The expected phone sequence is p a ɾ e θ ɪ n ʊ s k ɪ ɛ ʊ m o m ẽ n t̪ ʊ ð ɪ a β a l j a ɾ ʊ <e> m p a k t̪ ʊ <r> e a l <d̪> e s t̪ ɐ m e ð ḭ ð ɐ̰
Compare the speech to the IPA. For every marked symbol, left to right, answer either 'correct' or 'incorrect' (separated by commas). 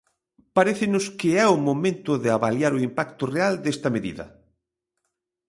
incorrect, correct, correct